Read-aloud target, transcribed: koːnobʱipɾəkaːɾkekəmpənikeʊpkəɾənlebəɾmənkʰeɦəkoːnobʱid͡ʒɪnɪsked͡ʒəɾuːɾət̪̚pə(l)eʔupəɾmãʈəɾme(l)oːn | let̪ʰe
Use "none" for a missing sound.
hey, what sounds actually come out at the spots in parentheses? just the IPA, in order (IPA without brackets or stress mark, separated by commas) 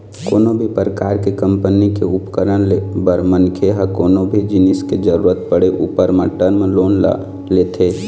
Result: ɽ, l